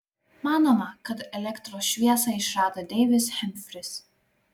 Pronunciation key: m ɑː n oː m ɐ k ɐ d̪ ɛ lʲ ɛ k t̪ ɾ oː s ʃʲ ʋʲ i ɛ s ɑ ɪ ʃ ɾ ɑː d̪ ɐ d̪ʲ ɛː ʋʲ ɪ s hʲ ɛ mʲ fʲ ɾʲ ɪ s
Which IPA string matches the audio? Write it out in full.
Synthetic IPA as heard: m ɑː n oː m ɐ k ɐ t̪ ɛ lʲ ɛ k t̪ ɾ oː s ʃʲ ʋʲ i ɛ s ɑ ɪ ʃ ɾ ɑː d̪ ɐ d̪ʲ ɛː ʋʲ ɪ s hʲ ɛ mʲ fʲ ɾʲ ɪ s